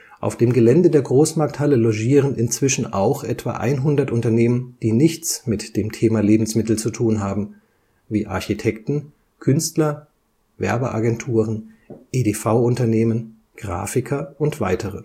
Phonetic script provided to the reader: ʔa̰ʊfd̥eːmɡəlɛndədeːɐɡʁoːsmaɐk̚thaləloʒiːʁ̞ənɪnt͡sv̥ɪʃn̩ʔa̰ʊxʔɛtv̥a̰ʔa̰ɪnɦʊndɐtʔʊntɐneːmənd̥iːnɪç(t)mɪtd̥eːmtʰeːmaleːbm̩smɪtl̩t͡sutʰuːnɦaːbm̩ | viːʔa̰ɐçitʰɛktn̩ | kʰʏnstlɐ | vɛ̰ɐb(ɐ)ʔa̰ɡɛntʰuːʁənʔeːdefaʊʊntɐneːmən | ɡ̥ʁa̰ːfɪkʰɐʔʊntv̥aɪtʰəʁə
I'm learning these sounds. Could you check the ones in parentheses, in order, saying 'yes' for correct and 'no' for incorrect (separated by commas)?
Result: no, no